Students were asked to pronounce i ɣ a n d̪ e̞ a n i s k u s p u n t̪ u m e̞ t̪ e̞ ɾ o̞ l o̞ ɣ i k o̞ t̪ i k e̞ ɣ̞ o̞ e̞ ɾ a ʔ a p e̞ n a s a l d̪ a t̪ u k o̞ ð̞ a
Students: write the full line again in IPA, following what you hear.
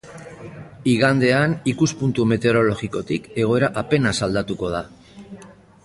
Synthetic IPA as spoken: i ɣ a n d̪ e̞ a n i k u s p u n t̪ u m e̞ t̪ e̞ ɾ o̞ l o̞ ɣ i k o̞ t̪ i k e̞ ɣ̞ o̞ e̞ ɾ a ʔ a p e̞ n a s a l d̪ a t̪ u k o̞ ð̞ a

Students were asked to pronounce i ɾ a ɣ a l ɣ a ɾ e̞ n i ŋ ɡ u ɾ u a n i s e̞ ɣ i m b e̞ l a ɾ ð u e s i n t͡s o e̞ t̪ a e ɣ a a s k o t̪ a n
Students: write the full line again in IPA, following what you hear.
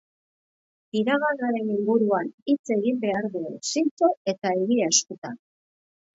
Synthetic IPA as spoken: i ɾ a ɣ a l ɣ a ɾ e̞ n i ŋ ɡ u ɾ u a n i t͡s e̞ ɣ i m b e̞ a ɾ ð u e s i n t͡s o e̞ t̪ a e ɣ i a s k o t̪ a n

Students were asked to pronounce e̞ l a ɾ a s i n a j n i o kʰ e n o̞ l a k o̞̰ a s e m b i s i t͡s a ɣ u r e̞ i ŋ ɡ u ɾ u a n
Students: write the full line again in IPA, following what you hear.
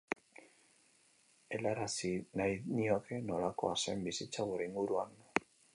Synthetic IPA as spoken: e̞ l a ɾ a s i n a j n i o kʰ e n o̞ l a k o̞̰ a s e m b i s i t͡s a ɣ u ɾ e̞ i ŋ ɡ u ɾ u a n

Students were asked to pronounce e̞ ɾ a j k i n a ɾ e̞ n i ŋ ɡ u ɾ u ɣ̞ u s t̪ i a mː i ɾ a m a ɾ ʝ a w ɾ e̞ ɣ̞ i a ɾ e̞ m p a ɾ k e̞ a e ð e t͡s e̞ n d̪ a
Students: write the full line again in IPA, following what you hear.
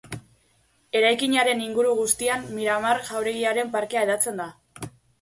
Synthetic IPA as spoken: e̞ ɾ a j k i ɲ a ɾ e̞ n i ŋ ɡ u ɾ u ɣ̞ u s t̪ i a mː i ɾ a m a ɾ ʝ a w ɾ e̞ ɣ̞ i a ɾ e̞ m p a ɾ k e̞ a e ð a t͡s e̞ n d̪ a

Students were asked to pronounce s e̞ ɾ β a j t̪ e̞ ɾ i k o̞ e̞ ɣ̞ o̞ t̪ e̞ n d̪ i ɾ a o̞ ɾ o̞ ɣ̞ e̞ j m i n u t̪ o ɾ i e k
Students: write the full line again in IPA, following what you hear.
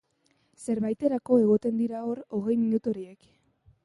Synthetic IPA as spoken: s e̞ ɾ β a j t̪ e̞ ɾ a k o̞ e̞ ɣ̞ o̞ t̪ e̞ n d̪ i ɾ a o̞ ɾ o̞ ɣ̞ e̞ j m i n u t̪ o ɾ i e k

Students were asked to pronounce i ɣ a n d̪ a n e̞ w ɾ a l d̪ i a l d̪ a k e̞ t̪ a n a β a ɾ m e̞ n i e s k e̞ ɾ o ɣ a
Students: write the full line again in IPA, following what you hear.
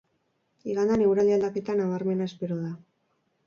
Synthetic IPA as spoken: i ɣ a n d̪ a n e̞ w ɾ a l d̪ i a l d̪ a k e̞ t̪ a n a β a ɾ m e̞ n a e s p e̞ ɾ o ð a

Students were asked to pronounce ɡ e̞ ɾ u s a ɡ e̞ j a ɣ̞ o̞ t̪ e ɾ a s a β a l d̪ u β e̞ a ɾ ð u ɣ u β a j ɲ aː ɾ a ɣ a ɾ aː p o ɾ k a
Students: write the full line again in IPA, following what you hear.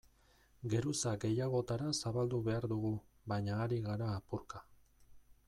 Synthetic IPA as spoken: ɡ e̞ ɾ u s a ɡ e̞ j a ɣ̞ o̞ t̪ a ɾ a s a β a l d̪ u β e̞ a ɾ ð u ɣ u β a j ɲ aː ɾ i ɣ a ɾ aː p u ɾ k a

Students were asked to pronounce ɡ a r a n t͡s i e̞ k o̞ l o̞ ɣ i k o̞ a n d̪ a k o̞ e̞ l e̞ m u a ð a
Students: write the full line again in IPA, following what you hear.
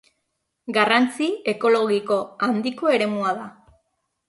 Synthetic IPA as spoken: ɡ a r a n t͡s i e̞ k o̞ l o̞ ɣ i k o̞ a n d̪ i k o̞ e̞ ɾ e̞ m u a ð a

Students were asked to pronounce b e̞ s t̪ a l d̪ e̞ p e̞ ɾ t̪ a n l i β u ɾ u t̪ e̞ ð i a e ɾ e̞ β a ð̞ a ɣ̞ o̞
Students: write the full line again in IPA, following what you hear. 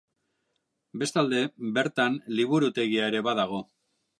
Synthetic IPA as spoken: b e̞ s t̪ a l d̪ e̞ b e̞ ɾ t̪ a n l i β u ɾ u t̪ e̞ ɣ i a e ɾ e̞ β a ð̞ a ɣ̞ o̞

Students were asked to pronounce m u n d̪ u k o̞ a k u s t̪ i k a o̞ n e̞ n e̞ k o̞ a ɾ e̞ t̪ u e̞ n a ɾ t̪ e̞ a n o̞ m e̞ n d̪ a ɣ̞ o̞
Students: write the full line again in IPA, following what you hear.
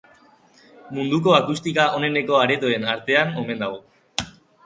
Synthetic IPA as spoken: m u n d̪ u k o̞ a k u s t̪ i k a o̞ n e̞ n e̞ k o̞ a ɾ e̞ t̪ o e̞ n a ɾ t̪ e̞ a n o̞ m e̞ n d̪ a ɣ̞ o̞

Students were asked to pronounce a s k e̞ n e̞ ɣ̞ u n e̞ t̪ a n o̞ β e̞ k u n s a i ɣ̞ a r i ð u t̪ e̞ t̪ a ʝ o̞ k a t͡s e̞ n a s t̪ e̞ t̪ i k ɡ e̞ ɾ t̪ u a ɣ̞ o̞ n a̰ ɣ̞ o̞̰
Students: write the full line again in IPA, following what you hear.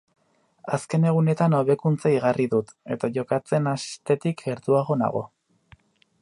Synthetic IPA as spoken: a s k e̞ n e̞ ɣ̞ u n e̞ t̪ a n o̞ β e̞ k u n t͡s a i ɣ̞ a r i ð u t̪ e̞ t̪ a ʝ o̞ k a t͡s e̞ n a s t̪ e̞ t̪ i k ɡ e̞ ɾ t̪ u a ɣ̞ o̞ n a̰ ɣ̞ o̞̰

